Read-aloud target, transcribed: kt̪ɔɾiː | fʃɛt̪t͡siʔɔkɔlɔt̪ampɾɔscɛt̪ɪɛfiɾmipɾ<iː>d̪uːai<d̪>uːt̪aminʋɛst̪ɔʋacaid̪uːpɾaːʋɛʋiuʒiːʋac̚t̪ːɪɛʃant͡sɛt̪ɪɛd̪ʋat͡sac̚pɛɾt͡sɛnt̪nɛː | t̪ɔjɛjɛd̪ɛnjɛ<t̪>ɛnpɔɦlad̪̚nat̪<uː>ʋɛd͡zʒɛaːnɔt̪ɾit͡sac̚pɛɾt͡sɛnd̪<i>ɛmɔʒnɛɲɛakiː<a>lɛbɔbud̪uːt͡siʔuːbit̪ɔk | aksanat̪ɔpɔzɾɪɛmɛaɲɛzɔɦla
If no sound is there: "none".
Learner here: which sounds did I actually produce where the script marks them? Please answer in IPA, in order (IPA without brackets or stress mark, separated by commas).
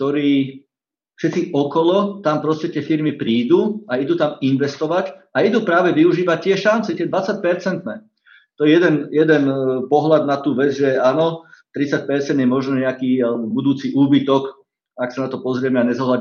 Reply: iː, d̪, d̪, uː, j, a